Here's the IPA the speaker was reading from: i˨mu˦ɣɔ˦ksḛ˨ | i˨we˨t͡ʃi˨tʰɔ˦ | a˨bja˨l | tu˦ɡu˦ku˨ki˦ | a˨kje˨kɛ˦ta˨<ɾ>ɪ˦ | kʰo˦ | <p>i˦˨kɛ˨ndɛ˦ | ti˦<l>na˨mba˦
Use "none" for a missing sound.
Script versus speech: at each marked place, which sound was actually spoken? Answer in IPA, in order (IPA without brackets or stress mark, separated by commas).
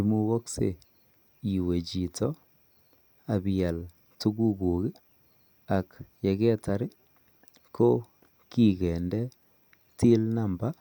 ɾ, k, l